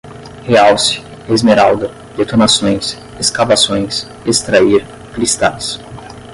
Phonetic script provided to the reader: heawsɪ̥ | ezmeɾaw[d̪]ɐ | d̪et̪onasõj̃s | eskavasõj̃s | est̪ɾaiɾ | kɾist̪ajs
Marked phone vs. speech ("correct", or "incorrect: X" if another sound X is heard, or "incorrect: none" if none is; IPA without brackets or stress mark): correct